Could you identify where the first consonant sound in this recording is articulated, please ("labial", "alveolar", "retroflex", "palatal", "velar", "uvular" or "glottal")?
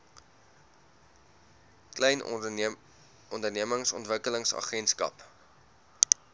velar